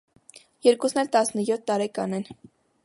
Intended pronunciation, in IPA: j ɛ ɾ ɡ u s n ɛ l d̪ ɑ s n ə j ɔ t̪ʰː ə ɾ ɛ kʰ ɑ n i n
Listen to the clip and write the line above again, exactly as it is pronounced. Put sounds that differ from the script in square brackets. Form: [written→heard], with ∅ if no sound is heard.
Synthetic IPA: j ɛ ɾ [ɡ→k] u s n ɛ l [d̪→t̪] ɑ s n ə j ɔ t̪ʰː [ə→ɑ] ɾ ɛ [kʰ→k] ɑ n [i→ɛ] n